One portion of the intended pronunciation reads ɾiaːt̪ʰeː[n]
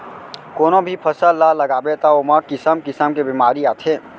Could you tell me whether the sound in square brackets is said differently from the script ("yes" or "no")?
yes